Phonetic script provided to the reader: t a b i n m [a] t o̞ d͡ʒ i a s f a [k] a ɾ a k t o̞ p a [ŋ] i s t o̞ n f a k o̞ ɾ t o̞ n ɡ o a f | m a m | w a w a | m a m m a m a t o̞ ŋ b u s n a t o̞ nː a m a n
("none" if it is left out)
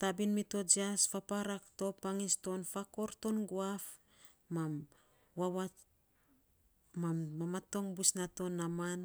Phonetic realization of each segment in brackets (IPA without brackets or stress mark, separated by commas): i, p, ŋ